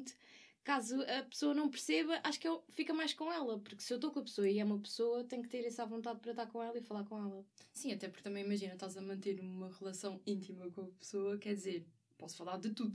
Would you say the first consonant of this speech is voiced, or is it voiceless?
voiceless